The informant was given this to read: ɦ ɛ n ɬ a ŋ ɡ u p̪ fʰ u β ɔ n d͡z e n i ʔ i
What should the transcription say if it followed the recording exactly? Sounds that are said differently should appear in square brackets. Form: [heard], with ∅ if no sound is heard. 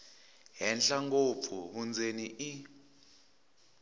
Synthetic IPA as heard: ɦ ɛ n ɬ a ŋ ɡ [o] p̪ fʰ u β [u] n d͡z e n i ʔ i